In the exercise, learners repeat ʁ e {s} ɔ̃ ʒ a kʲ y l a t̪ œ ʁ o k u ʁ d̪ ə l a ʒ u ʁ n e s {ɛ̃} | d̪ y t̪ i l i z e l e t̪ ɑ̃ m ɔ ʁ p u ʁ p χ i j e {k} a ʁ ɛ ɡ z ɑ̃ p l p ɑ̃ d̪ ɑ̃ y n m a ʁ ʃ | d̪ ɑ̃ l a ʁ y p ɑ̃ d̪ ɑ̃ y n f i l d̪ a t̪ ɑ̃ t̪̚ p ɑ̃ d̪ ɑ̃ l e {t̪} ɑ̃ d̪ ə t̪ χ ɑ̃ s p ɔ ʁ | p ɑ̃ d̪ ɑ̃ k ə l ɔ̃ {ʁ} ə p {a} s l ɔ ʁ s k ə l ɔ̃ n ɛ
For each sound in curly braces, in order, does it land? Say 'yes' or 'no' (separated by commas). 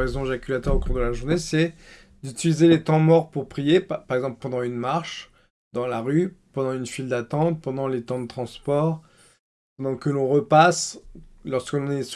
no, no, no, yes, yes, yes